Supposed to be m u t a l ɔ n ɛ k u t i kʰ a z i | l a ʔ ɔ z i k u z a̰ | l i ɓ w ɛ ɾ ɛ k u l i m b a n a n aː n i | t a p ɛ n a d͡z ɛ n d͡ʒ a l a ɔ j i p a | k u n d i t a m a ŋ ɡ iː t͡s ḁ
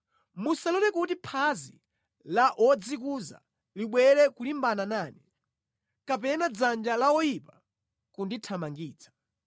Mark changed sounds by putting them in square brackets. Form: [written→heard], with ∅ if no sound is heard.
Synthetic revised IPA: m u [t→s] a l ɔ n ɛ k u t i [kʰ→pʰ] a z i | l a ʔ ɔ [z→d͡z] i k u z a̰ | l i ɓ w ɛ ɾ ɛ k u l i m b a n a n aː n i | [t→k] a p ɛ n a d͡z [ɛ→a] n d͡ʒ a l a ɔ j i p a | k u n d i [t→tʰ] a m a ŋ ɡ iː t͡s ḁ